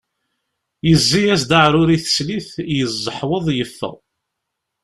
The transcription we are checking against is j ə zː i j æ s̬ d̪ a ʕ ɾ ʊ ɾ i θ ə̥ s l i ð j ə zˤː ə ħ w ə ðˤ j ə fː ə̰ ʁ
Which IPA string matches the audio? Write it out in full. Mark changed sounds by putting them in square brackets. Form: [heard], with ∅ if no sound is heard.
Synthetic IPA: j ə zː i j æ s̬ d̪ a ʕ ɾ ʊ ɾ i θ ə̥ s l i [θ] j ə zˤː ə ħ w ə ðˤ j ə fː ə̰ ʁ